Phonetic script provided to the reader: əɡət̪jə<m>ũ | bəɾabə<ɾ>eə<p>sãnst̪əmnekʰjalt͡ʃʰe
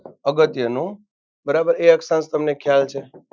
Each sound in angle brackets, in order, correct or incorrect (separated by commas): incorrect, correct, incorrect